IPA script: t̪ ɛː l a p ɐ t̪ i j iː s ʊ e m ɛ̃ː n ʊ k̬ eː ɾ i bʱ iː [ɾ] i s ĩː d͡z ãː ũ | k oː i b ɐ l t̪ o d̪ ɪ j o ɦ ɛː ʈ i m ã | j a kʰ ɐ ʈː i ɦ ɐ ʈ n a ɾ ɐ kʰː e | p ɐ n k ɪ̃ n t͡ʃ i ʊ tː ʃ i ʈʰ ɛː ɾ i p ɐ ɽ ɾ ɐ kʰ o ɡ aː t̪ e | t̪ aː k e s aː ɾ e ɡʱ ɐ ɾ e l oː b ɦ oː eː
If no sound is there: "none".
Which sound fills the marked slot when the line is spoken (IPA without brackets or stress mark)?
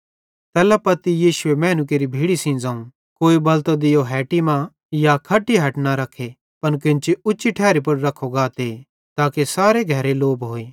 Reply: ɽ